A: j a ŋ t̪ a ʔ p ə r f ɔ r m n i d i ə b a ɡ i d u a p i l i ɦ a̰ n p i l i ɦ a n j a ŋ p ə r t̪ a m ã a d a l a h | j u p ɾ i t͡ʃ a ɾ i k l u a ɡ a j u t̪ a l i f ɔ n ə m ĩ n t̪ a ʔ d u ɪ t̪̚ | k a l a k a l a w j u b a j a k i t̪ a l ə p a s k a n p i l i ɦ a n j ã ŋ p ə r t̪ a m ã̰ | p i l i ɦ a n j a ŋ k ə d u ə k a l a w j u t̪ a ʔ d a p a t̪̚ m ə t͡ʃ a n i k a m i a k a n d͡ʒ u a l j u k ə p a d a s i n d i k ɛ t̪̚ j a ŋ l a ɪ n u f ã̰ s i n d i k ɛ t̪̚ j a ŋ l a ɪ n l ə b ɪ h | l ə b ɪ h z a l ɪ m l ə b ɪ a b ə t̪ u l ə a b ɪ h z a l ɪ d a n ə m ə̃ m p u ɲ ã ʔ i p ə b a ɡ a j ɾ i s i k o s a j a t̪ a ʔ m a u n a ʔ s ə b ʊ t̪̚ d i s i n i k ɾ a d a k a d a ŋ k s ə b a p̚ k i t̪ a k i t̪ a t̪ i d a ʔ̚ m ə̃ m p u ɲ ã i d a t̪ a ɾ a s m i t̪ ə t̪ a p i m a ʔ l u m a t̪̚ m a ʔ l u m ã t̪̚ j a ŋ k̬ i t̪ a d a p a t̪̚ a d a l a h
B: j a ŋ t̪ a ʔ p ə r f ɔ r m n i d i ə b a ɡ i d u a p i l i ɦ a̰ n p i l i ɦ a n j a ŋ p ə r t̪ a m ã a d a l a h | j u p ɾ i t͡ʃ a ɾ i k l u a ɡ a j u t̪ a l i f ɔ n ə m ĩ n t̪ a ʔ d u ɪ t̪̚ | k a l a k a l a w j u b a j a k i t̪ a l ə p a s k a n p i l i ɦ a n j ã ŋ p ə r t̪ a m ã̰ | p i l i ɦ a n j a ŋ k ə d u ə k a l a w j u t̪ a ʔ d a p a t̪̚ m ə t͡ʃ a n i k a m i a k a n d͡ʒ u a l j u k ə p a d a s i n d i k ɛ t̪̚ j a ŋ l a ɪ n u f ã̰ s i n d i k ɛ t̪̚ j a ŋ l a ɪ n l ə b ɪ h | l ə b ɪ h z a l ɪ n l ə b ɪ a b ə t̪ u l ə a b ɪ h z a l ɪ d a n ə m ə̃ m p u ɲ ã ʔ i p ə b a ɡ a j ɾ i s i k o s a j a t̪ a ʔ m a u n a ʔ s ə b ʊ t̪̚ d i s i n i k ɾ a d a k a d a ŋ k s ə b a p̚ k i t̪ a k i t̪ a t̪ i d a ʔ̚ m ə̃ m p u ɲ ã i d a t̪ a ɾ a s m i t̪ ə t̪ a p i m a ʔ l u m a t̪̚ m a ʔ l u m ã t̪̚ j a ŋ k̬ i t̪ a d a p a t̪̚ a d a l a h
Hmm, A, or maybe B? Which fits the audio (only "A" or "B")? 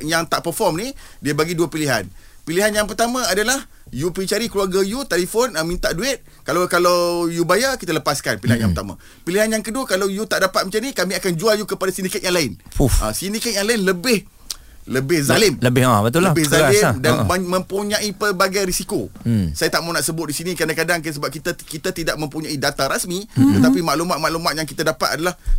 A